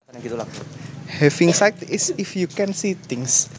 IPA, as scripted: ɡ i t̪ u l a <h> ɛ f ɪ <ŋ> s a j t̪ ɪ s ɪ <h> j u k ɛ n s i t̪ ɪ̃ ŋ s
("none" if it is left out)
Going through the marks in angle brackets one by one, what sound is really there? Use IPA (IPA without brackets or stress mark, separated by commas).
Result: h, ŋ, f